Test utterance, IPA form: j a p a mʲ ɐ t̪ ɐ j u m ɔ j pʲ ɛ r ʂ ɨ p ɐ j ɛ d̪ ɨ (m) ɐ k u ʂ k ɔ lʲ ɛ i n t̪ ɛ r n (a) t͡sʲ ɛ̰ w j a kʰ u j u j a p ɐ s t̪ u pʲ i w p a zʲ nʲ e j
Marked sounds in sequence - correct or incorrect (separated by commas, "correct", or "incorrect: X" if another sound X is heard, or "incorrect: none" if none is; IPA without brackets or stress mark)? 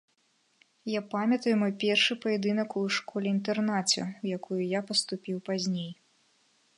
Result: incorrect: n, correct